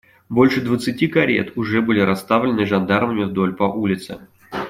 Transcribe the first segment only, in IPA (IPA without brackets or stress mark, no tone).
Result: b